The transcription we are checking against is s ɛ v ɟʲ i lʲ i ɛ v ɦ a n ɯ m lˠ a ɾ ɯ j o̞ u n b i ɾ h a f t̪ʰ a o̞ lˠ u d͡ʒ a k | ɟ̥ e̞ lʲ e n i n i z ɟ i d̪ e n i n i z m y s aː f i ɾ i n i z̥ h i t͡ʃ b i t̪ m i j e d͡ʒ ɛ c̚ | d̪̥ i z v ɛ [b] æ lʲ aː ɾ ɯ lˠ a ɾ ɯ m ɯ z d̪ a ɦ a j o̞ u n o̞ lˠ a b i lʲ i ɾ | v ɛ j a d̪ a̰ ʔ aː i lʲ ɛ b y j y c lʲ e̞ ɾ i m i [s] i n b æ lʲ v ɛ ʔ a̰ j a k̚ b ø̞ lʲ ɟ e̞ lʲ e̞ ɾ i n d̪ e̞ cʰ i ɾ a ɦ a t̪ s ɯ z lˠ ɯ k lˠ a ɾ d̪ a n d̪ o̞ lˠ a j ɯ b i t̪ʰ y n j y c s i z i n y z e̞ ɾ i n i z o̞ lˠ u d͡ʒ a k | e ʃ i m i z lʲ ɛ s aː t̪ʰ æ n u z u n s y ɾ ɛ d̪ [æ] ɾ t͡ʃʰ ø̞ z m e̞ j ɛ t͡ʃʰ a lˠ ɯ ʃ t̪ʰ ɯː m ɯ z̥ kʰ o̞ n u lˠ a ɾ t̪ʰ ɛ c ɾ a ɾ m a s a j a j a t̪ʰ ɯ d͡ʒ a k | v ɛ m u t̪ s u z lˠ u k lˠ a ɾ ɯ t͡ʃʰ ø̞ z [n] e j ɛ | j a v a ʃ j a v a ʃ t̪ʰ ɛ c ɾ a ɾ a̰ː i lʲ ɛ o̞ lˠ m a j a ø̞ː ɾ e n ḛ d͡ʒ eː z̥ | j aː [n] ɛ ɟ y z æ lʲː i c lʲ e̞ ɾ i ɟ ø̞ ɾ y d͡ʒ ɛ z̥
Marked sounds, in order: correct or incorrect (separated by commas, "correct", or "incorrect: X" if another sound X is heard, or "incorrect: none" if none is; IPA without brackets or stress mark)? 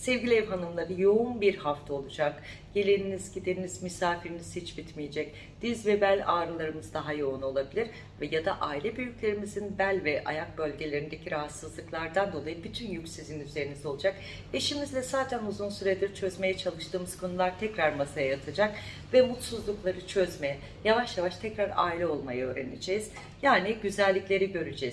correct, incorrect: z, incorrect: i, incorrect: m, correct